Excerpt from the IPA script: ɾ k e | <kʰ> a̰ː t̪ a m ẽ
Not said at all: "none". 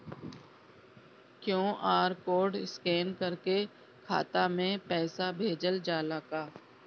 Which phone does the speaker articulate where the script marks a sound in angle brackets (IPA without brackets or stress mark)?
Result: kʰ